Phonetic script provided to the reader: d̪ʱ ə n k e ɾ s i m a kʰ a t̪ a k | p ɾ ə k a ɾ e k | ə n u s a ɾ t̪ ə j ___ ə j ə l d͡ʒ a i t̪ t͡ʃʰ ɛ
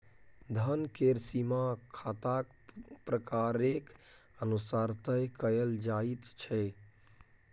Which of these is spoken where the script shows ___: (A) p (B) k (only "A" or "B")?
B